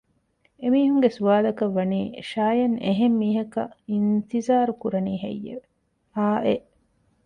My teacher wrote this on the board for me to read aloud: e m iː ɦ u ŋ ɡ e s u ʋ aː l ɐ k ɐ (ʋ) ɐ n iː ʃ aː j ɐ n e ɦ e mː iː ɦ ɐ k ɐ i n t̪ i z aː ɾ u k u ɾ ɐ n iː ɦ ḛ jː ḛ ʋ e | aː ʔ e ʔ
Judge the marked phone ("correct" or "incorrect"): incorrect